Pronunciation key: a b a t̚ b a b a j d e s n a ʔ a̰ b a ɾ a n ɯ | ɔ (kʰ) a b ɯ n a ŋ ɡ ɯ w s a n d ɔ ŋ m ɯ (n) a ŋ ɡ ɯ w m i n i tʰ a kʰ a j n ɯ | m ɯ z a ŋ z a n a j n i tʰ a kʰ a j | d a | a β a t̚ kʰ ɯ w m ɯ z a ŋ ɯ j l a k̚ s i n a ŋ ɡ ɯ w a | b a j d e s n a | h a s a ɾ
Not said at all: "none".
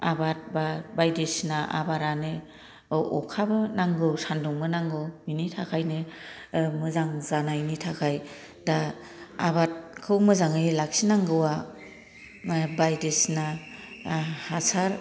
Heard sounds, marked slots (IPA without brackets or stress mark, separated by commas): kʰ, n